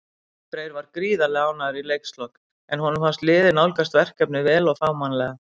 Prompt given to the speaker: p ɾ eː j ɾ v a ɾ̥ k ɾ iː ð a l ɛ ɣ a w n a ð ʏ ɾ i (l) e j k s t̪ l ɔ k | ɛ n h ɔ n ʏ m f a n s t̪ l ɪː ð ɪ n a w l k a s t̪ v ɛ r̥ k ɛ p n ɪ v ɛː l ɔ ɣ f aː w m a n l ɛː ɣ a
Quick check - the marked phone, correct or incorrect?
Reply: correct